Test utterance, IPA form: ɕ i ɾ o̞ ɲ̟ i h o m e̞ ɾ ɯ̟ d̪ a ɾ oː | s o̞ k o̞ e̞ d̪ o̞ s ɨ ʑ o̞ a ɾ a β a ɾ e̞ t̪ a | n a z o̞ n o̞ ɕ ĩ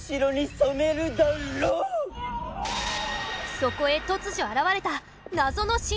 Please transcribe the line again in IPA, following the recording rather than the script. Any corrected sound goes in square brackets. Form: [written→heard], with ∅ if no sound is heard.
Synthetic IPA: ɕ i ɾ o̞ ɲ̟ i [h→s] o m e̞ ɾ ɯ̟ d̪ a ɾ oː | s o̞ k o̞ e̞ [d̪→t̪] o̞ [s→t͡s] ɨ ʑ o̞ a ɾ a β a ɾ e̞ t̪ a | n a z o̞ n o̞ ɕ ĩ

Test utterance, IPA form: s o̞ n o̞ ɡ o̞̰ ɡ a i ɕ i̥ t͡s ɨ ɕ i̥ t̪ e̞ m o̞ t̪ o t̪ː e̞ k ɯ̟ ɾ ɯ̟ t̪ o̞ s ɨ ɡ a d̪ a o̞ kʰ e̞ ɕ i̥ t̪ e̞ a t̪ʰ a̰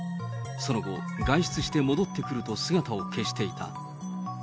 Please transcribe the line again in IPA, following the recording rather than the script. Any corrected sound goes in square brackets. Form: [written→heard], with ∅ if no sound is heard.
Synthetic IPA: s o̞ n o̞ ɡ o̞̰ ɡ a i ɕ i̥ t͡s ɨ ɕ i̥ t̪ e̞ m o̞ [t̪→d̪] o t̪ː e̞ k ɯ̟ ɾ ɯ̟ t̪ o̞ s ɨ ɡ a [d̪→t̪] a o̞ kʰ e̞ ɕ i̥ t̪ e̞ [a→i] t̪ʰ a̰

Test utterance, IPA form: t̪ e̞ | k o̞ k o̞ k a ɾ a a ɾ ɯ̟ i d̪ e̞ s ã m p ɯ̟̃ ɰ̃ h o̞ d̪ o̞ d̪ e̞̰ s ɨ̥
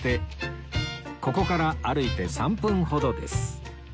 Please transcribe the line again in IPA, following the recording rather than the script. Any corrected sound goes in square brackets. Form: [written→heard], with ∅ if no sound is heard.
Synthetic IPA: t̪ e̞ | k o̞ k o̞ k a ɾ a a ɾ ɯ̟ i [d̪→t̪] e̞ s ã m p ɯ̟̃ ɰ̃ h o̞ d̪ o̞ d̪ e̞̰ s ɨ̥

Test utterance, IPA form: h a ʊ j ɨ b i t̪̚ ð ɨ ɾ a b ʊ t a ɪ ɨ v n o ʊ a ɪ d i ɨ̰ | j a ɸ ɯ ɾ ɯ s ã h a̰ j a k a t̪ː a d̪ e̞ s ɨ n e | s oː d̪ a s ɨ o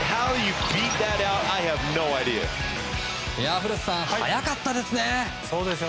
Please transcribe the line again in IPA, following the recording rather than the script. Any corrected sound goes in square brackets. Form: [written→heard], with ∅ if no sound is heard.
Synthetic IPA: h a ʊ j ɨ b i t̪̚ ð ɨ ɾ a [b→∅] ʊ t a ɪ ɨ v n o ʊ a ɪ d i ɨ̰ | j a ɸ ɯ ɾ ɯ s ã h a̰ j a k a t̪ː a d̪ e̞ s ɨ n e | s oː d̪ [a→e] s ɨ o

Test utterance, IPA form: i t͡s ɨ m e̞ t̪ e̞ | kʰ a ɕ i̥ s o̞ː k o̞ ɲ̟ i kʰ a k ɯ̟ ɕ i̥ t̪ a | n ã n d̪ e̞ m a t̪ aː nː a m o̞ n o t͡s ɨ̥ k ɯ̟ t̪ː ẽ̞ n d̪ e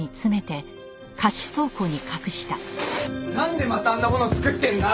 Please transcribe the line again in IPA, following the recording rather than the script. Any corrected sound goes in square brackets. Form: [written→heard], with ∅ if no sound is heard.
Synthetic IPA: i t͡s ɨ m e̞ t̪ e̞ | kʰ a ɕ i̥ s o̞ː k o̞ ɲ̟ i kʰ a k ɯ̟ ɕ i̥ t̪ a | n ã n d̪ e̞ m a t̪ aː nː a m o̞ n o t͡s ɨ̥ k ɯ̟ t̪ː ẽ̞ n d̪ [e→a]

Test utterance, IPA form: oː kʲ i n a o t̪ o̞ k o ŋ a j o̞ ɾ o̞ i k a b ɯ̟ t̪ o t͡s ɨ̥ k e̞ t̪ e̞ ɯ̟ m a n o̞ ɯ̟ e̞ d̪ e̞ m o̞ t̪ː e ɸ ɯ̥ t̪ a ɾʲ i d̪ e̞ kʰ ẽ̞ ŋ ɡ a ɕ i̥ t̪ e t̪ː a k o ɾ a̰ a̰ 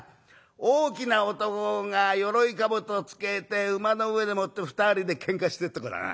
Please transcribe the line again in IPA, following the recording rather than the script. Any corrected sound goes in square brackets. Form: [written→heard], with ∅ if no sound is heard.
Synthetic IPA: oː kʲ i n a o t̪ o̞ k o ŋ a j o̞ ɾ o̞ i k a b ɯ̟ t̪ o t͡s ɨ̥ k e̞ t̪ e̞ ɯ̟ m a n o̞ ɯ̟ e̞ d̪ e̞ m o̞ t̪ː e ɸ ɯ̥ t̪ a ɾʲ i d̪ e̞ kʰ ẽ̞ ŋ [ɡ→k] a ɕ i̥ t̪ e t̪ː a k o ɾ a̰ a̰

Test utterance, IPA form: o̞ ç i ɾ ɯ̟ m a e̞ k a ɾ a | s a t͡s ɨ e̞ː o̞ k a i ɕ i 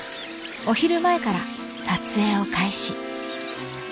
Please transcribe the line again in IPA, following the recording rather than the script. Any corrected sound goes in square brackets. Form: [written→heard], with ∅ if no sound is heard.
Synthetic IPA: o̞ ç i ɾ ɯ̟ m a e̞ k a ɾ a | s a t͡s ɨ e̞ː o̞ k a i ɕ i

